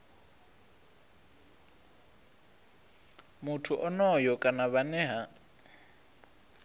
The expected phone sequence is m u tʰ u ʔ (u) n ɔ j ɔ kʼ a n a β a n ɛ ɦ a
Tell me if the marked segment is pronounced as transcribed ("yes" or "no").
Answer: no